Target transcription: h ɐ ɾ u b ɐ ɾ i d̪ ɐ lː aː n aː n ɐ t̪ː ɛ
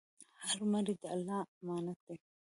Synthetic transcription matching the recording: h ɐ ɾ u m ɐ ɾ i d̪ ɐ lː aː m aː n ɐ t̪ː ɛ